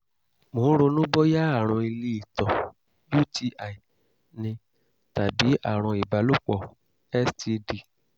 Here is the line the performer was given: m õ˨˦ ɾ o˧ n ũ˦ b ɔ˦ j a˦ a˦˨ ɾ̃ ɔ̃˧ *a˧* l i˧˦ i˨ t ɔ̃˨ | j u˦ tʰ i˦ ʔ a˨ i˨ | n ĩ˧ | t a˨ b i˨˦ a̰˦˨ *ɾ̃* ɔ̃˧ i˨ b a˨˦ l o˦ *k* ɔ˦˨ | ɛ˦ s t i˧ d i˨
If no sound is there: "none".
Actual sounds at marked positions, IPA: i˧, ɾ̃, k͡p

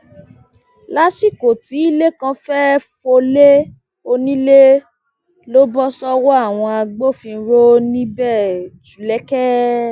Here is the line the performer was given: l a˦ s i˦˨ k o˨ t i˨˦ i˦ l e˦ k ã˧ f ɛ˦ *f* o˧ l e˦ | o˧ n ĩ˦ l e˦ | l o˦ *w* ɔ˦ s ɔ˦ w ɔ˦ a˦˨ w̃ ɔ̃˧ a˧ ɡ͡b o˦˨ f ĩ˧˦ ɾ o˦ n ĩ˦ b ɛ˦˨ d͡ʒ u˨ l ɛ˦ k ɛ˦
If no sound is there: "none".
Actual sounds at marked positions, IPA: f, b

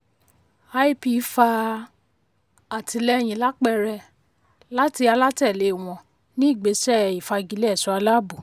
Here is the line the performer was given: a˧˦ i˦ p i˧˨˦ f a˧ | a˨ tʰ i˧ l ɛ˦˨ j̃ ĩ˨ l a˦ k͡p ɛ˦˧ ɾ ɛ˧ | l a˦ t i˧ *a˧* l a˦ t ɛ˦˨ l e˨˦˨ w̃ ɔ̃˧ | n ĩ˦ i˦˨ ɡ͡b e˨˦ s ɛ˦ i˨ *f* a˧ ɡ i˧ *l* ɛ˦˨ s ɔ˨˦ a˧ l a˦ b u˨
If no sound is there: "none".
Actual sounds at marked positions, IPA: a˧, f, l

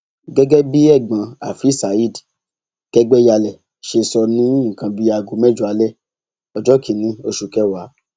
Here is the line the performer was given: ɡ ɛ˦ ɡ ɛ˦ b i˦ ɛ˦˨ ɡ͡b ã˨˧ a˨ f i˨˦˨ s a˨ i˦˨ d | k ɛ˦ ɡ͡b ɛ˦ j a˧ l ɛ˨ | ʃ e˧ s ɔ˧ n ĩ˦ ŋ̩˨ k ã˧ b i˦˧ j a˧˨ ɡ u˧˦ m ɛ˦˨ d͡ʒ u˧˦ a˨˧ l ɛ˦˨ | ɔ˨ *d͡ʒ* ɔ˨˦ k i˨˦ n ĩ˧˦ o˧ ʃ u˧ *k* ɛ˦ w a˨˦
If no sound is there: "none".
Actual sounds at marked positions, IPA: d͡ʒ, k

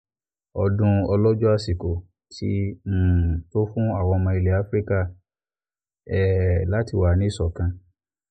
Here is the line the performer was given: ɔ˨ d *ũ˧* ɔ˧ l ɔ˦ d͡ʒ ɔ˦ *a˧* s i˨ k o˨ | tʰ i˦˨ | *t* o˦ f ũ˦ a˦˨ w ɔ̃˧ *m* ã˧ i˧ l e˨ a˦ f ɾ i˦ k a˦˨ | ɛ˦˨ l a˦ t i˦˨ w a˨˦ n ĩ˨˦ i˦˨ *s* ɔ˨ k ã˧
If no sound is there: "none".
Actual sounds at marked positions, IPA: ũ˧, a˧, t, m, s

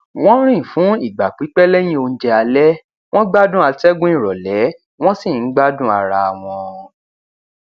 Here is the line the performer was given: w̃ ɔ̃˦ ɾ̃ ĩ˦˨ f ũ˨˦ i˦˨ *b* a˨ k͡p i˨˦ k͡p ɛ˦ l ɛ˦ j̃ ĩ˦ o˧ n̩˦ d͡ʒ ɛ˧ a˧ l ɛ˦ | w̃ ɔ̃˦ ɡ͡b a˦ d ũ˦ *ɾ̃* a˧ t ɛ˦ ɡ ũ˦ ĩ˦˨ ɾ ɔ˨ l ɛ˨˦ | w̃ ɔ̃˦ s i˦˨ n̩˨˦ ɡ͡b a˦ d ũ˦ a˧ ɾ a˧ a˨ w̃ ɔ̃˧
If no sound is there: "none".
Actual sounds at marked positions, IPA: ɡ͡b, none

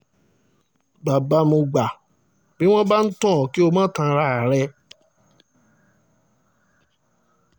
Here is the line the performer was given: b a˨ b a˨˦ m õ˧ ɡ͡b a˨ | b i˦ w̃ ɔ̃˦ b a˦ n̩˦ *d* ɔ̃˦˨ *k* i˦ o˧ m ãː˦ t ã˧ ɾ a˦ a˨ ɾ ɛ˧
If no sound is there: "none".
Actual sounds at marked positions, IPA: t, k

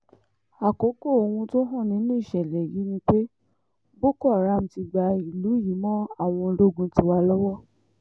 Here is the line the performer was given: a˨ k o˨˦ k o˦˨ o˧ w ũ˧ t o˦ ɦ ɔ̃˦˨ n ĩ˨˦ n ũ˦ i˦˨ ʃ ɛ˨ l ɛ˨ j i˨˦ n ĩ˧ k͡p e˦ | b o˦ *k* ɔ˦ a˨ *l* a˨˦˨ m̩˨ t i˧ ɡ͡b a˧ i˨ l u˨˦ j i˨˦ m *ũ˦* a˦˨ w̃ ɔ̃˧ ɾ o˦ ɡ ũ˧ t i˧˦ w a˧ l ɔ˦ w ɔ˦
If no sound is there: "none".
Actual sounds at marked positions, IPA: k, ɾ, ɔ̃˦

